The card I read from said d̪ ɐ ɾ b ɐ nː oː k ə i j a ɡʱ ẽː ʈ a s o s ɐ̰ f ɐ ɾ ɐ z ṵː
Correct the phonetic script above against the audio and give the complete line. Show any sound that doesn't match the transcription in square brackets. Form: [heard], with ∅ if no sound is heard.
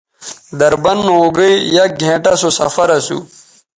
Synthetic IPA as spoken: d̪ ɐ ɾ b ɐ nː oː [ɡ] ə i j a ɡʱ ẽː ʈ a s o s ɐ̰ f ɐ ɾ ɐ [s] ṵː